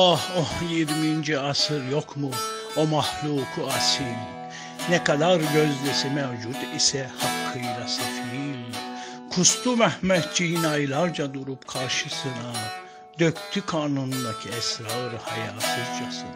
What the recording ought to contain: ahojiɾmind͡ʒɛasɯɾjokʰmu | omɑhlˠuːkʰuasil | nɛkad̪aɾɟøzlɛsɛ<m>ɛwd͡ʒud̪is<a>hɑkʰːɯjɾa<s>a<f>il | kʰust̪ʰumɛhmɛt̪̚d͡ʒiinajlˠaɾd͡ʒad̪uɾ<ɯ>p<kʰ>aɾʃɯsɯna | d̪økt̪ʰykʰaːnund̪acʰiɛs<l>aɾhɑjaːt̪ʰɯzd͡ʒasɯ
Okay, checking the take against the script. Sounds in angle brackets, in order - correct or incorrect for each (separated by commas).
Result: correct, incorrect, correct, correct, incorrect, correct, incorrect